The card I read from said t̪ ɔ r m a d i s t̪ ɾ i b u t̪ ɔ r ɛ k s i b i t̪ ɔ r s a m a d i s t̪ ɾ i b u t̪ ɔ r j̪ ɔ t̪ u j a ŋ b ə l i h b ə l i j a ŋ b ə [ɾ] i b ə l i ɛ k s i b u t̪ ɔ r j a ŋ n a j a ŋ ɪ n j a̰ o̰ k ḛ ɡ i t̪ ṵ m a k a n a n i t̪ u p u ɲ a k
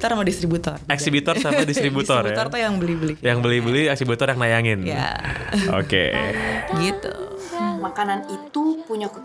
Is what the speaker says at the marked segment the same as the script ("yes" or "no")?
no